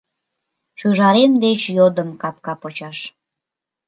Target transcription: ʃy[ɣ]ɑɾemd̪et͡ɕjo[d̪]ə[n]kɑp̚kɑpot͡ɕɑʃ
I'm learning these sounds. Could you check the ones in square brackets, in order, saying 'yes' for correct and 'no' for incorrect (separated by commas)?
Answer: no, yes, no